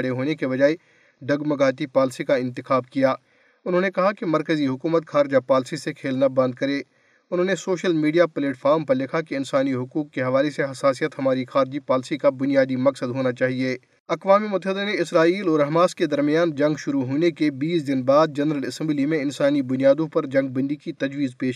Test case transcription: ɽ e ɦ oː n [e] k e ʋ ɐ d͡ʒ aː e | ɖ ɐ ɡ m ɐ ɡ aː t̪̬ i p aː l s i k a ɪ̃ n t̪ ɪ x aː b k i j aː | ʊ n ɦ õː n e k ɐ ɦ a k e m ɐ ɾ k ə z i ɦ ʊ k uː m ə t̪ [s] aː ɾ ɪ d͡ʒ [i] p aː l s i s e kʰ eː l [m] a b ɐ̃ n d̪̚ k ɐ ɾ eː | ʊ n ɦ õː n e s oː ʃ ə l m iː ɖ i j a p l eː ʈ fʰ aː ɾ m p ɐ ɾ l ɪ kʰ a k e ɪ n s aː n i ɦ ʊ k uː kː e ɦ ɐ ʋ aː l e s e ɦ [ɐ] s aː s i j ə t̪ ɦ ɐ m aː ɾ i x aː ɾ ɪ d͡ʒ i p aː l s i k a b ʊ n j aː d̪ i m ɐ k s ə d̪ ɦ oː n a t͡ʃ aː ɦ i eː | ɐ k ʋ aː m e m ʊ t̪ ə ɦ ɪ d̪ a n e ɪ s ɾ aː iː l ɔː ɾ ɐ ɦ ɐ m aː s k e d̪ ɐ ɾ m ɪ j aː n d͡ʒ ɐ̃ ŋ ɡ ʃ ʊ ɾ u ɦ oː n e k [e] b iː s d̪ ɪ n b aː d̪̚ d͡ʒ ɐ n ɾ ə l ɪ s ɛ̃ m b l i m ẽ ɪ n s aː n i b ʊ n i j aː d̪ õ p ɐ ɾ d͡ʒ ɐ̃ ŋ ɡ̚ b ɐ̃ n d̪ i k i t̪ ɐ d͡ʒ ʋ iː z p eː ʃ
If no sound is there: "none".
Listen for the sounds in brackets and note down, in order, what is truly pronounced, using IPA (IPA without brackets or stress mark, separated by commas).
e, x, a, n, ɐ, e